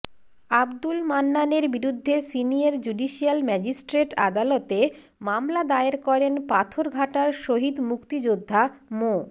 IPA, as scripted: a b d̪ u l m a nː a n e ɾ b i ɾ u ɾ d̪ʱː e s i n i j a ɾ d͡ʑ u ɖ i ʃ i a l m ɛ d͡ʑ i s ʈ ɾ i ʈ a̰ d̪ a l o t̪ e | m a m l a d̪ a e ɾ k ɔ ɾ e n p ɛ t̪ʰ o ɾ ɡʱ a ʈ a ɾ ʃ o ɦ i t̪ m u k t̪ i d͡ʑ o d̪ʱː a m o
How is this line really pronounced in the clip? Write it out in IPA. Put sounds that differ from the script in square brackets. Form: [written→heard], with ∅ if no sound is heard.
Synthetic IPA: a b d̪ u l m a nː a n e ɾ b i ɾ u [ɾ→∅] d̪ʱː e s i n i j a ɾ d͡ʑ u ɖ i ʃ i a l m ɛ d͡ʑ i s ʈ ɾ [i→e] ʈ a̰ d̪ a l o t̪ e | m a m l a d̪ a e ɾ k ɔ ɾ e n p [ɛ→a] t̪ʰ o ɾ ɡʱ a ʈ a ɾ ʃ o ɦ i [t̪→d̪] m u k t̪ i d͡ʑ o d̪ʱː a m o